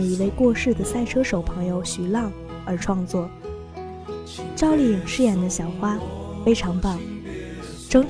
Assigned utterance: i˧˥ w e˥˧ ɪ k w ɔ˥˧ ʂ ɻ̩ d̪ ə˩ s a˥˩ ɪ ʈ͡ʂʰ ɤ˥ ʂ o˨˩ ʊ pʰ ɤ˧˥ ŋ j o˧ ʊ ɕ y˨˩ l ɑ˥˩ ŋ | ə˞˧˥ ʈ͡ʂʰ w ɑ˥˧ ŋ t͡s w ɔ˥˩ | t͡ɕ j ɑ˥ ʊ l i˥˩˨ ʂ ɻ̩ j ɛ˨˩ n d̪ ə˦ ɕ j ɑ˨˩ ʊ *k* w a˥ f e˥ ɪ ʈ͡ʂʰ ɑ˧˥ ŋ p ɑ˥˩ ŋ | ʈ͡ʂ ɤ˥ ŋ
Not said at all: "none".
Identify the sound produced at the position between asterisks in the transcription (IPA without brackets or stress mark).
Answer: x